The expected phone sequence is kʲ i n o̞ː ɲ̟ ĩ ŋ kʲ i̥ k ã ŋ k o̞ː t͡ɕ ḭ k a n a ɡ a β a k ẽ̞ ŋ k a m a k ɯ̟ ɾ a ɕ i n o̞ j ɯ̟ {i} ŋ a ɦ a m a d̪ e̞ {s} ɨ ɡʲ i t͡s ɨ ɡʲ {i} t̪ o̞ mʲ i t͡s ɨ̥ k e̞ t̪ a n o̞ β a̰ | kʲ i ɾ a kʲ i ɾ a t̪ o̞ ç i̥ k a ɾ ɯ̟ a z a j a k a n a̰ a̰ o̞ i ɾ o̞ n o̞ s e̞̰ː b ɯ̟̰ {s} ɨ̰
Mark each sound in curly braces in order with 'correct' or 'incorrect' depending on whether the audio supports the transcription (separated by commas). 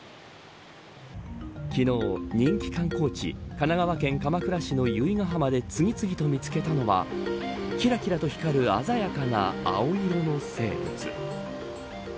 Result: correct, incorrect, correct, incorrect